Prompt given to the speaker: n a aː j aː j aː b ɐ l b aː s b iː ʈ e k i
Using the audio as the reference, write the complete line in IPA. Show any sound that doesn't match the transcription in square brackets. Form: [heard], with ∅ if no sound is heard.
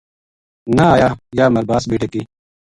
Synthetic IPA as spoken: n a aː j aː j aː [m] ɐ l b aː s b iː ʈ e k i